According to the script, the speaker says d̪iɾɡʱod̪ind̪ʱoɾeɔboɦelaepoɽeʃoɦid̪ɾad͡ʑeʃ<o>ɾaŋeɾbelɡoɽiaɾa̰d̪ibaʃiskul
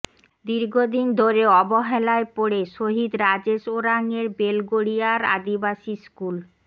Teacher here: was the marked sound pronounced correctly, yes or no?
yes